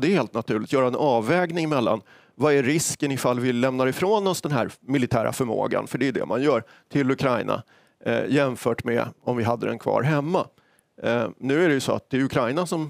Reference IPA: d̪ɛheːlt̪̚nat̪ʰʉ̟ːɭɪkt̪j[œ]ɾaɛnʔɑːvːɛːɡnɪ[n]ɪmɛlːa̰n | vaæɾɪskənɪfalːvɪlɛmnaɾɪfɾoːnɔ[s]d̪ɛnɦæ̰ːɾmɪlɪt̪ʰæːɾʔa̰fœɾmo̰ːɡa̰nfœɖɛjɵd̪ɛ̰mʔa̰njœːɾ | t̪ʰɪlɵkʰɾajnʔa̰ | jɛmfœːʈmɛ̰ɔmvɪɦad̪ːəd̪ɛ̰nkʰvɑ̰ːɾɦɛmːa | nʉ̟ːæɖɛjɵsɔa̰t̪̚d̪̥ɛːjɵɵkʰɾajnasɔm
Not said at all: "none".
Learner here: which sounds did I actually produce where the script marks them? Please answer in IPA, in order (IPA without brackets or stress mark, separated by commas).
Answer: œː, ŋ, s